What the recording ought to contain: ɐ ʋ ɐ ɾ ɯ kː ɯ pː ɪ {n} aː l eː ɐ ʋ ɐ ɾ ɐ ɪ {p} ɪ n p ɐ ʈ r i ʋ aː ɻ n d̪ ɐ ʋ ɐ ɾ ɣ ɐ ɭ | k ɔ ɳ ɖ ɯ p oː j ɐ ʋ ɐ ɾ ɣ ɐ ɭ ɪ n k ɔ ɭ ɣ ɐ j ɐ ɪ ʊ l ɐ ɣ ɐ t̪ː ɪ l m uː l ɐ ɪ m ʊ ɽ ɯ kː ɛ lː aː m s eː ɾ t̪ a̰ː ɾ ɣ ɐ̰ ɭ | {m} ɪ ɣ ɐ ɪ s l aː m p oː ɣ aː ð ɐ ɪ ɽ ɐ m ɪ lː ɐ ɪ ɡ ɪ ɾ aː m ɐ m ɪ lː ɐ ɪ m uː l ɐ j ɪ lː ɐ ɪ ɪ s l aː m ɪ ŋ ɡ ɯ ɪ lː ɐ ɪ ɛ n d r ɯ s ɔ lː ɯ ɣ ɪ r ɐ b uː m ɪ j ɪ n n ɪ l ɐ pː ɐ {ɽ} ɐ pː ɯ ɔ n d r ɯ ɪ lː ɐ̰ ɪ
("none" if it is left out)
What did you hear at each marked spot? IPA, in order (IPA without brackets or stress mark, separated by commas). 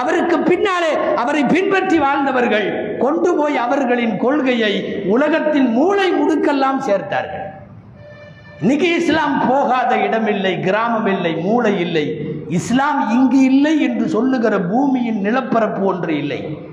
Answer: nː, p, n, ɾ